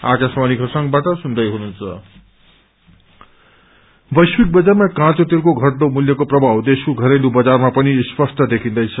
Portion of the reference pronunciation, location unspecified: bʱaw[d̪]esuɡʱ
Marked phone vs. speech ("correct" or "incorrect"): correct